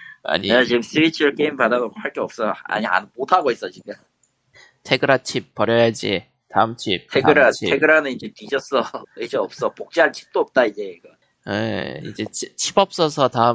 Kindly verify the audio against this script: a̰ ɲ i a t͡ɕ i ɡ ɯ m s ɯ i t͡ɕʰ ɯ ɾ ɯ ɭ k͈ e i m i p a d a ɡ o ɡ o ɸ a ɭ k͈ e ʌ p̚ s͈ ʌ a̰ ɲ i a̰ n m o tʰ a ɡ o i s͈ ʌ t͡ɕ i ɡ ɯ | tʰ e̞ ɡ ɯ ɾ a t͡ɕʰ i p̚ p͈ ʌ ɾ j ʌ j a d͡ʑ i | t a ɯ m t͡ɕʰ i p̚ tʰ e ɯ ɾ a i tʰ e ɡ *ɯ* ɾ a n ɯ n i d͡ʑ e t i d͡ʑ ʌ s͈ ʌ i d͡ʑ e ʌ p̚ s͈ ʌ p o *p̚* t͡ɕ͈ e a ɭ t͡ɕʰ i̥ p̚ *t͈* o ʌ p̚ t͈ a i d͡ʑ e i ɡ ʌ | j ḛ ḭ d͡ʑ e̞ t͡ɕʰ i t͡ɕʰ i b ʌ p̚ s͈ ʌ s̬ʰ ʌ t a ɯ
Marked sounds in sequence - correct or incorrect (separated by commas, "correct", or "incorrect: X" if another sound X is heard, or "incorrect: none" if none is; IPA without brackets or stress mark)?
correct, incorrect: k̚, correct